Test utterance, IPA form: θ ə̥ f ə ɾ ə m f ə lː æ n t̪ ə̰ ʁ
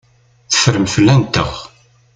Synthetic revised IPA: θ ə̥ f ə ɾ ə m f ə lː æ n t̪ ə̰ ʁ